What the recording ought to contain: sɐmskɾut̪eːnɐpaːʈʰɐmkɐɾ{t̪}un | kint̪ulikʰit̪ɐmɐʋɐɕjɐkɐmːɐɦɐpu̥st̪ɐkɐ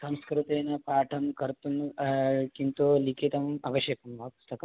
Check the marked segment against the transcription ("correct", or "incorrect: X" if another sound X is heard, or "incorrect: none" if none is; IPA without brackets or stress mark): correct